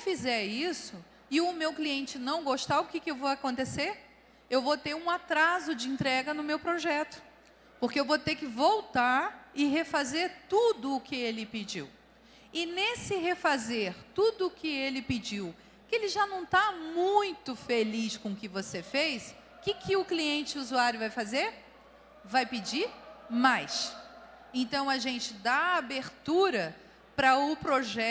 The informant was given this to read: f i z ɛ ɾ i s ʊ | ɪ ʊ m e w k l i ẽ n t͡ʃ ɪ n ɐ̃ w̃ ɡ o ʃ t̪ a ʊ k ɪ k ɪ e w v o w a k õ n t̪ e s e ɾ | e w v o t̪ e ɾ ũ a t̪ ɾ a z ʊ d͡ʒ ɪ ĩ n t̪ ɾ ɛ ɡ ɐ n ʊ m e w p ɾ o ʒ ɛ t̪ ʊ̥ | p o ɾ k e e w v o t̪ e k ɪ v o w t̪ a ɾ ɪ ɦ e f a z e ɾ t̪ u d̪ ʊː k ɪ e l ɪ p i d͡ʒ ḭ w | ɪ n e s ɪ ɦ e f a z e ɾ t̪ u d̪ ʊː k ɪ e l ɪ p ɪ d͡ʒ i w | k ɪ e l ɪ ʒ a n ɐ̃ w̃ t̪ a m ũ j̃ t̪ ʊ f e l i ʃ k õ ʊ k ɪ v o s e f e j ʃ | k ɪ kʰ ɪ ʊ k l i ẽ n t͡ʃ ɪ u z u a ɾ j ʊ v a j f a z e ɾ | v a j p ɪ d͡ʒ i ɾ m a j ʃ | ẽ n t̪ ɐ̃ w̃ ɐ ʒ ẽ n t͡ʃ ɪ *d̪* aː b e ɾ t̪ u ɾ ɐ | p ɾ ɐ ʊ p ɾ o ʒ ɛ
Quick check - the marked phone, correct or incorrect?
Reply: correct